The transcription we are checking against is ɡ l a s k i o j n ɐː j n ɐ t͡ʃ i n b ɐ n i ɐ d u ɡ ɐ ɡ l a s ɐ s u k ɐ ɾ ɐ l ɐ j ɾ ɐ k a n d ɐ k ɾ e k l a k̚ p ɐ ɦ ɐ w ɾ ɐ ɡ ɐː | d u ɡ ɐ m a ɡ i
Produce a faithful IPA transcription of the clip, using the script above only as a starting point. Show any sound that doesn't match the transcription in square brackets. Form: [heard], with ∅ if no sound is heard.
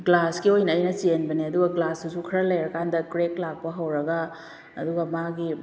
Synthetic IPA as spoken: ɡ l a s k i o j n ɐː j n ɐ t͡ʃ [e] n b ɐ n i ɐ d u ɡ ɐ ɡ l a s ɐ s u [kʰ] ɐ ɾ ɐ l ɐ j ɾ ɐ k a n d ɐ k ɾ e k l a k̚ p ɐ ɦ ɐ w ɾ ɐ ɡ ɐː | d u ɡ ɐ m a ɡ i